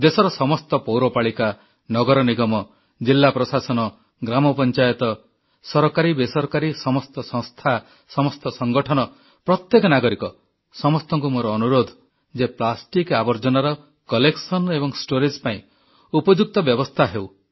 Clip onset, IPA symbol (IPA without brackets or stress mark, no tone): d̪